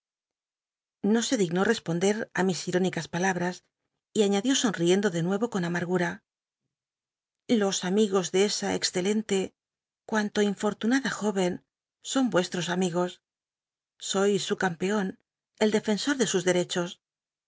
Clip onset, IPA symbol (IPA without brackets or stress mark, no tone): n